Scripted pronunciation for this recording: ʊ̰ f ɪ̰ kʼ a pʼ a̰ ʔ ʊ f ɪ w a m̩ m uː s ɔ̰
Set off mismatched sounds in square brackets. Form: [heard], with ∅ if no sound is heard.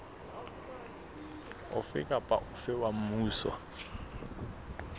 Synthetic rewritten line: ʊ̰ f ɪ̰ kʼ a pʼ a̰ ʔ ʊ f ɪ w a m̩ m uː s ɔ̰